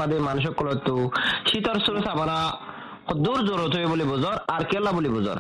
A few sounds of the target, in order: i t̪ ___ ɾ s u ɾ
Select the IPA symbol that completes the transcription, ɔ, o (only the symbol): ɔ